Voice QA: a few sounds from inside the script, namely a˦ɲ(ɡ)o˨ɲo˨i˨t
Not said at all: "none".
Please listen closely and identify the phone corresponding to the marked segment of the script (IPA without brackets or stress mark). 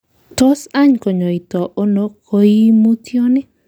k